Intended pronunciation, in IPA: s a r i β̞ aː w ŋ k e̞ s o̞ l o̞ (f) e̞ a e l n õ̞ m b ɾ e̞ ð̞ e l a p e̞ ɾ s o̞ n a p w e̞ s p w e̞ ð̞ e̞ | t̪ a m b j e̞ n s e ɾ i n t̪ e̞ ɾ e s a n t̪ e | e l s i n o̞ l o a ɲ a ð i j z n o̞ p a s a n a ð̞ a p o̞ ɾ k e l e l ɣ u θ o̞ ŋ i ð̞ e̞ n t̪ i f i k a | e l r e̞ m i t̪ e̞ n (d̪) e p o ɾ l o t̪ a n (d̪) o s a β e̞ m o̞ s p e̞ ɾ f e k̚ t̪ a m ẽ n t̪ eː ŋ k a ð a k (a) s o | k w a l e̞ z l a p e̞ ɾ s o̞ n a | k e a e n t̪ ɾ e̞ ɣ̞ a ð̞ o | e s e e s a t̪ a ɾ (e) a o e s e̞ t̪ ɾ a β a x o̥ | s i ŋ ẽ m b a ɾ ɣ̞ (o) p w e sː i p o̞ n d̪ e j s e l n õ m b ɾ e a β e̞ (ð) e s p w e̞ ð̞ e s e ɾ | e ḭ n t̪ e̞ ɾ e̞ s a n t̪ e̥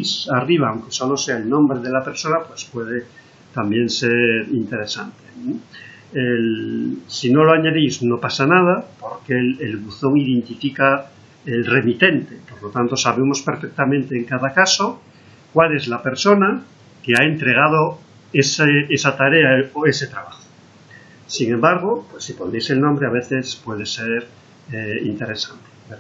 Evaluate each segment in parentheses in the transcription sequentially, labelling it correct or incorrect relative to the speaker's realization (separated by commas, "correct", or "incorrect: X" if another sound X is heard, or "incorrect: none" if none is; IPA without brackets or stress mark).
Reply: incorrect: s, incorrect: t̪, incorrect: t̪, correct, correct, correct, incorrect: θ